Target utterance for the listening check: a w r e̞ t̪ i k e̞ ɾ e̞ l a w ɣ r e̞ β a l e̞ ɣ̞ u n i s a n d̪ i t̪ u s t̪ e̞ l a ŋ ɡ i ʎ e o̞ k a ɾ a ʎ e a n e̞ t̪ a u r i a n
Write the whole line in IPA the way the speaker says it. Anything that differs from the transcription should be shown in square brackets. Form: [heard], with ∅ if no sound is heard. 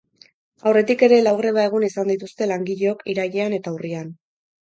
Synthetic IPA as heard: a w r e̞ t̪ i k e̞ ɾ e̞ l a w ɣ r e̞ β a [∅] e̞ ɣ̞ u n i s a n d̪ i t̪ u s t̪ e̞ l a ŋ ɡ i ʎ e o̞ k [i] ɾ a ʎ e a n e̞ t̪ a u r i a n